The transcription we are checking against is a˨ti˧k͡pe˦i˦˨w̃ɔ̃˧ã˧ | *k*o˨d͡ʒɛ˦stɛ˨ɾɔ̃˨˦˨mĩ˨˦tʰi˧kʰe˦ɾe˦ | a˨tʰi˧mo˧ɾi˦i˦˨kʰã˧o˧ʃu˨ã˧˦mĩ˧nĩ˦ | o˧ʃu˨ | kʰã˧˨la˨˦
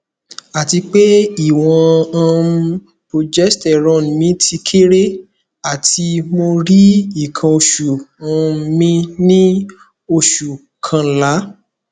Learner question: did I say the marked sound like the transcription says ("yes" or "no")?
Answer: no